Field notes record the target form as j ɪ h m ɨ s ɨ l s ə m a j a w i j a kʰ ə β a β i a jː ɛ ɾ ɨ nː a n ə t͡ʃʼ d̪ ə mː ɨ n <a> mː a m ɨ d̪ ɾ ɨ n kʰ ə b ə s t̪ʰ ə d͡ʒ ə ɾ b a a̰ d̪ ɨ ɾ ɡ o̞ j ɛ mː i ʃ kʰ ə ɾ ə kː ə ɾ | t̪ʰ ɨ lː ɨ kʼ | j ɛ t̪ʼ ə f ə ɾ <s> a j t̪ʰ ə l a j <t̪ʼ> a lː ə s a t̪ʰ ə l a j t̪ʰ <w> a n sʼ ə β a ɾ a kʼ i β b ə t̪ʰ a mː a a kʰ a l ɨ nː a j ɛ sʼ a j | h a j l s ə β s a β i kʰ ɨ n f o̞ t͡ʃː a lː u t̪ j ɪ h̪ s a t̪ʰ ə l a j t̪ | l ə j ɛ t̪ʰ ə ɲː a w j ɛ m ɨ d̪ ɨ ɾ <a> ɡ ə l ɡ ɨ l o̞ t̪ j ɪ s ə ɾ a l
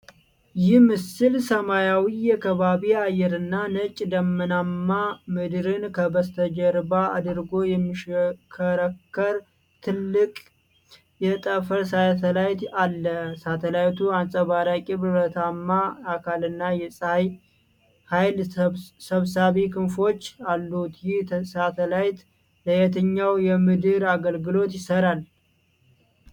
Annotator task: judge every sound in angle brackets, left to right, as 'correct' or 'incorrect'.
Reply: correct, correct, incorrect, incorrect, correct

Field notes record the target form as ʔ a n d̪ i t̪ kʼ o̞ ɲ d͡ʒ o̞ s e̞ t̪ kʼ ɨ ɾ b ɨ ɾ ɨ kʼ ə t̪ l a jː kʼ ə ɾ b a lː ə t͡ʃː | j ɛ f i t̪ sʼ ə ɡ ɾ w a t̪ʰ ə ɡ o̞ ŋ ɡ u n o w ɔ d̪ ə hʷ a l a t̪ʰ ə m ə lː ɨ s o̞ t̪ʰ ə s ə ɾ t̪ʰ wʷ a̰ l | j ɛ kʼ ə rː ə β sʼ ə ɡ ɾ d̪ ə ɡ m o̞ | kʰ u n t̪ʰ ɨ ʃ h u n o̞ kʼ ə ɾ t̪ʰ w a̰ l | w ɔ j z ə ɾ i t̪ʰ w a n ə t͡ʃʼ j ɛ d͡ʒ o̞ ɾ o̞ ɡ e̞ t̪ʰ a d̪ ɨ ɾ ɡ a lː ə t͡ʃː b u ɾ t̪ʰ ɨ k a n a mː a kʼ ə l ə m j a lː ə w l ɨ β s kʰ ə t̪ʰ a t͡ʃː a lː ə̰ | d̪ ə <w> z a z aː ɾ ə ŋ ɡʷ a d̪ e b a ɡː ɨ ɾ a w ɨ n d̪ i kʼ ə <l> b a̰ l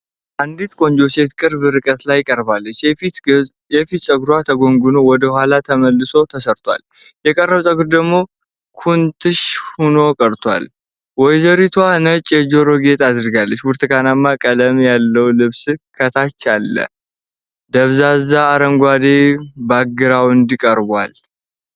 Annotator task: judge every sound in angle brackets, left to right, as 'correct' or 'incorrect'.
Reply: incorrect, incorrect

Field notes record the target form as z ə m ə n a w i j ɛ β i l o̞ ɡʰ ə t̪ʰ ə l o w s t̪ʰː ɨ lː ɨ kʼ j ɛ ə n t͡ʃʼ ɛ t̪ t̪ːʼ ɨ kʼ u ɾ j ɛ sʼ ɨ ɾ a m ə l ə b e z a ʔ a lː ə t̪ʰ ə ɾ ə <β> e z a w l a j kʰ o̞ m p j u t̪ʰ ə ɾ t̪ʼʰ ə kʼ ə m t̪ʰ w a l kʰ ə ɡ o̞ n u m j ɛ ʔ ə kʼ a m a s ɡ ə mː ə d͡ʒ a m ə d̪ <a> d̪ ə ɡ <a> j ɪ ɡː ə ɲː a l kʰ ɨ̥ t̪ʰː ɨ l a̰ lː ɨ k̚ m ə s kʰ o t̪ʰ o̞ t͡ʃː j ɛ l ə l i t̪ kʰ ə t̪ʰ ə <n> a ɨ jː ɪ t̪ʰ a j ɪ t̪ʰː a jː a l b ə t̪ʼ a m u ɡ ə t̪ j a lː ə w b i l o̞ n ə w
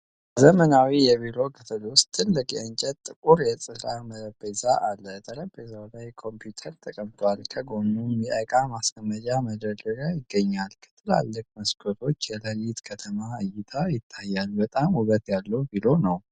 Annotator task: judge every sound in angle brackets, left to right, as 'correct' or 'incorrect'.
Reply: incorrect, incorrect, correct, incorrect

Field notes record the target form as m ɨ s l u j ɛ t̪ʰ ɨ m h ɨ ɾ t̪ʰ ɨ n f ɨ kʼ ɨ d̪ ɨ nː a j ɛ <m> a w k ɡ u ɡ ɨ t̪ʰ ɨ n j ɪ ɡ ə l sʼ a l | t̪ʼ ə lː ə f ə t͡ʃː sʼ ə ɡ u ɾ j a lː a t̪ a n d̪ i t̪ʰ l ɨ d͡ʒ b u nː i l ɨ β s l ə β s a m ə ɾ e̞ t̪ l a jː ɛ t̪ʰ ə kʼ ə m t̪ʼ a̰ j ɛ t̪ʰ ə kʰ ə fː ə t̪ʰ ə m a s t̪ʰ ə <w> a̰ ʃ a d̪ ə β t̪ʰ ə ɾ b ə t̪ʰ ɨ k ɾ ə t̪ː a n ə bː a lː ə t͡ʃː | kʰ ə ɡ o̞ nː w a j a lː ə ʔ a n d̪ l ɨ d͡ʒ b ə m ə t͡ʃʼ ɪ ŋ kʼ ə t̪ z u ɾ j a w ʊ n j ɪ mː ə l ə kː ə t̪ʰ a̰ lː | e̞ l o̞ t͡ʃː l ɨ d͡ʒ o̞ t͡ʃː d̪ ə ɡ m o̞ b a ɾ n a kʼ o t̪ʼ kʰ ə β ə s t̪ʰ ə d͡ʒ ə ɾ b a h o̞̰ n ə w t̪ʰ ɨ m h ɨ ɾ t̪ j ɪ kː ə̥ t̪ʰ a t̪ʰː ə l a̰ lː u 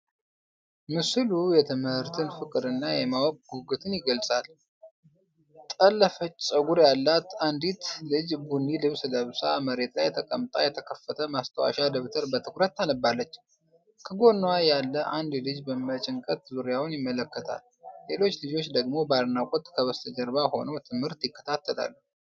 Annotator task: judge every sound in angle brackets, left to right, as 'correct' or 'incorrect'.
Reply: correct, correct

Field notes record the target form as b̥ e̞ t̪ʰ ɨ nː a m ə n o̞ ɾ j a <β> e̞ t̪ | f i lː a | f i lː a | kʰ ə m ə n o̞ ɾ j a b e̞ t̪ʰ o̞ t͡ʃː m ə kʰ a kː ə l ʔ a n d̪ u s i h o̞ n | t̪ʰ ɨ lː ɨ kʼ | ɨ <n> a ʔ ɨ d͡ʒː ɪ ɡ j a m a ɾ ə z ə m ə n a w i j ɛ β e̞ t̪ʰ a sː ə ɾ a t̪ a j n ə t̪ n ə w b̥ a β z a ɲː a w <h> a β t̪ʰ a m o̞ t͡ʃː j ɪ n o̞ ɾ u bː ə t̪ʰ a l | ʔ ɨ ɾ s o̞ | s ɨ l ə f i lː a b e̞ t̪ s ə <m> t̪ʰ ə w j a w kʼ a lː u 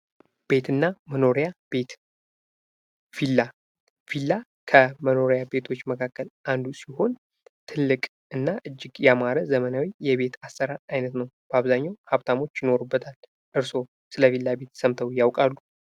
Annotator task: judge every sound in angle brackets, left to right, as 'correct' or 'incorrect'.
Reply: incorrect, incorrect, correct, correct

